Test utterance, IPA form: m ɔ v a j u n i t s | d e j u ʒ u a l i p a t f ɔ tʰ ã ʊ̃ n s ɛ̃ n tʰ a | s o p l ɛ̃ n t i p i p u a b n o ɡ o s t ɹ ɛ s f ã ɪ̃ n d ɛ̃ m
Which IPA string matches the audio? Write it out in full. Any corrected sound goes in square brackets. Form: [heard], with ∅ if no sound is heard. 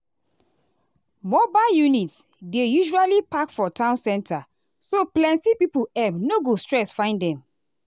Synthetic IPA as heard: m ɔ [b] a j u n i t s | d e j u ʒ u a l i p a [k] f ɔ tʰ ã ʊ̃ n s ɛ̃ n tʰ a | s o p l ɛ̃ n t i p i p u [ɛ] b n o ɡ o s t ɹ ɛ s f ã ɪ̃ n d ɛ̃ m